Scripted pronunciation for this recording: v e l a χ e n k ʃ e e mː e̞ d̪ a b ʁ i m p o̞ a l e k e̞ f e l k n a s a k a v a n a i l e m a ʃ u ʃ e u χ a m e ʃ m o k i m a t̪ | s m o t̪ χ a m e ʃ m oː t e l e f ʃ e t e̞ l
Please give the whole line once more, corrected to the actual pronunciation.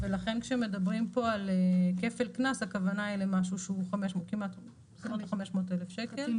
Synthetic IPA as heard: v e l a χ e n k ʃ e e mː e̞ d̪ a b ʁ i m p o̞ a l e k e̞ f e l k n a s a k a v a n a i l e m a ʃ u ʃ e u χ a m e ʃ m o k i m a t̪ | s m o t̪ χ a m e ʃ m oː t e l e f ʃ e k e̞ l

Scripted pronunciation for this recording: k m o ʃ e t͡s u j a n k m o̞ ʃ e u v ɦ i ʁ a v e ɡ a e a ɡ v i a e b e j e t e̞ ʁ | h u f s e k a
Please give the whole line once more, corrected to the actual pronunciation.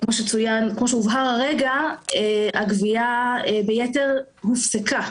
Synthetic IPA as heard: k m o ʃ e t͡s u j a n k m o̞ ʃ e u v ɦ a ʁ a ʁ e ɡ a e a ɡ v i a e b e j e t e̞ ʁ | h u f s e k a

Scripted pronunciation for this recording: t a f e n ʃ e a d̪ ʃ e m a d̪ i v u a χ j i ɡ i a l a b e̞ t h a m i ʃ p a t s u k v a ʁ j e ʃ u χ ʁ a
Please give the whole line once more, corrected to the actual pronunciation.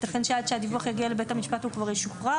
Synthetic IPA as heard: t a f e n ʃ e a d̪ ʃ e a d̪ i v u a χ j a ɡ i a l e b e̞ t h a m i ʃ p a t h u k v a ʁ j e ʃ u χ ʁ a

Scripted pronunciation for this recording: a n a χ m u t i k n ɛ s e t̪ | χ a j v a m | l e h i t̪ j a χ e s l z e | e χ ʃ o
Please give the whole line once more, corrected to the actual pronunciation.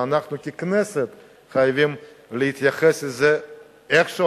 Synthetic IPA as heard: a n a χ n u k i k n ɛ s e t̪ | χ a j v i m | l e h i t̪ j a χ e s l z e | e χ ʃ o

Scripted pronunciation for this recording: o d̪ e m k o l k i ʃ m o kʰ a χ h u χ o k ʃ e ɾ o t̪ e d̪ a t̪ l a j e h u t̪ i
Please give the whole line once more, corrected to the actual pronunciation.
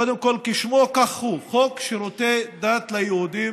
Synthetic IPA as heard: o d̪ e m k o l k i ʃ m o k a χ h u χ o k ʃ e ɾ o t̪ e d̪ a t̪ l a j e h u d̪ i

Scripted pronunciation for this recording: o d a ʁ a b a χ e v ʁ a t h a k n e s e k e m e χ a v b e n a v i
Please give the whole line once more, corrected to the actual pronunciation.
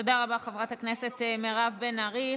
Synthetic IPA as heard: o d a ʁ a b a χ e v ʁ a t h a k n e s e t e m e ʁ a v b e n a ʁ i

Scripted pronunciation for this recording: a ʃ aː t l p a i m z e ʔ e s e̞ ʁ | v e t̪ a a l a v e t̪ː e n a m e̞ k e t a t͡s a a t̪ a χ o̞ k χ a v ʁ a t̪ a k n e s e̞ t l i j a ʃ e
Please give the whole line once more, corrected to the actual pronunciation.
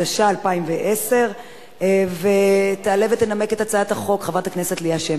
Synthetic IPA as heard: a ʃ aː l p a i m v e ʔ e s e̞ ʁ | v e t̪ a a l e v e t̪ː e n a m e̞ k e t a t͡s a a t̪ a χ o̞ k χ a v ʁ a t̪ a k n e s e̞ t l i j a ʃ e

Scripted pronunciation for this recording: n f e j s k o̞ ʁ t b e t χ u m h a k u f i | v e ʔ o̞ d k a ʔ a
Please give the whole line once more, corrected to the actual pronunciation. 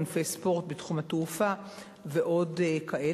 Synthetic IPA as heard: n f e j s p o̞ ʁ t b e t χ u m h a t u f a | v e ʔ o̞ d k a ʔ e

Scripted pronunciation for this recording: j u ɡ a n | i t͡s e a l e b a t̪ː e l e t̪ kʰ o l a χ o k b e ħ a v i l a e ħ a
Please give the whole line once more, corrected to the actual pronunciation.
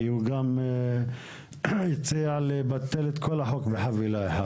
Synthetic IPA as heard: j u ɡ a m | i t͡s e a l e b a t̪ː e l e t̪ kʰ o l a ħ o k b e ħ a v i l a e ħ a

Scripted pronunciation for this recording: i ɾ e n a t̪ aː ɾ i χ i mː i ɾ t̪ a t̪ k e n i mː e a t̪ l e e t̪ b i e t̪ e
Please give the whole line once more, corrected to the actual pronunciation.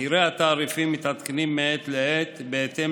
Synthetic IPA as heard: i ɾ e a t̪ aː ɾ i f i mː i t̪ a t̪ k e n i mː e e t̪ l e e t̪ b e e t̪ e

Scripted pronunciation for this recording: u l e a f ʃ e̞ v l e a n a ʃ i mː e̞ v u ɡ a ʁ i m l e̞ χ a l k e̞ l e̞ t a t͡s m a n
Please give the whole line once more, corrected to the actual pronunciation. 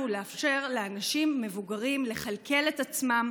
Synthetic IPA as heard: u l e a f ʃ e̞ ʁ l e a n a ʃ i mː e̞ v u ɡ a ʁ i m l e̞ χ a l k e̞ l e̞ t a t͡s m a m

